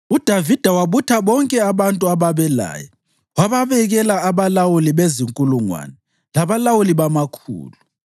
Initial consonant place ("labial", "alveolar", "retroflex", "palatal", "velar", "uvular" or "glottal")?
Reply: alveolar